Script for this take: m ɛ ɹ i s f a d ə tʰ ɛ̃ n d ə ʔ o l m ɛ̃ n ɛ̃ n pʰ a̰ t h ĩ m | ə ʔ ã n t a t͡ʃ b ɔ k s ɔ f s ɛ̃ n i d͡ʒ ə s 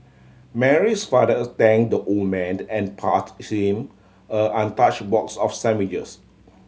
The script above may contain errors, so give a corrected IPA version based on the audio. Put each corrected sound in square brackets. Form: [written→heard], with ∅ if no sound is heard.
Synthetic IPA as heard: m ɛ ɹ i s f a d ə [tʰ→t] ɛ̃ [n→ŋ] d ə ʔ o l m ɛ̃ n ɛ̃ n pʰ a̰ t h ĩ m | ə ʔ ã n t a t͡ʃ b ɔ k s ɔ f s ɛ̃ [n→m] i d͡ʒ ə s